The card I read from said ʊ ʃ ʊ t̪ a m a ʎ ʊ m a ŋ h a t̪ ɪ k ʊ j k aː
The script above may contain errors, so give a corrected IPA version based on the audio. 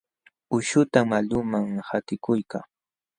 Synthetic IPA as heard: ʊ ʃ ʊ t̪ a m a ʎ ʊ m a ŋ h a t̪ ɪ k ʊ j k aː